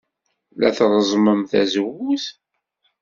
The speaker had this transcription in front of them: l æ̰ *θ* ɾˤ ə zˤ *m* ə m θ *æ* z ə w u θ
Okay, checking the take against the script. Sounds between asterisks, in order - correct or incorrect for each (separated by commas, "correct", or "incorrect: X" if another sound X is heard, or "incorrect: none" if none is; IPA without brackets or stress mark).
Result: correct, correct, correct